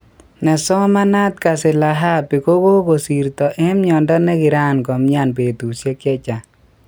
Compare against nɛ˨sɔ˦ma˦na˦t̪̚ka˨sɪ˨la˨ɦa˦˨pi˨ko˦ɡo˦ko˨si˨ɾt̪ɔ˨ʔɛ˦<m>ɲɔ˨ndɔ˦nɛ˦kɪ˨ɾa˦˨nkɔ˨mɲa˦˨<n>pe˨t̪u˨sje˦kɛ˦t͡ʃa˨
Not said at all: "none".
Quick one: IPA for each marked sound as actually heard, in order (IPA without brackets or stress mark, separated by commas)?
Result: m, n